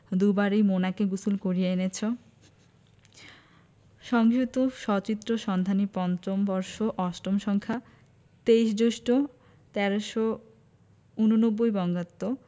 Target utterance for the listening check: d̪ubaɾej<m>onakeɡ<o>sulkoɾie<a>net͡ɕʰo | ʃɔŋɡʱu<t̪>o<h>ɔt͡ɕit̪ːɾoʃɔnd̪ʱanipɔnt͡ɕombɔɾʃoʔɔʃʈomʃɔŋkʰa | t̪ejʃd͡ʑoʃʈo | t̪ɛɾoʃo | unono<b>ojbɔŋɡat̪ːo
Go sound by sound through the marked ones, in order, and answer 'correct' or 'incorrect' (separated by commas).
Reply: correct, incorrect, incorrect, correct, incorrect, incorrect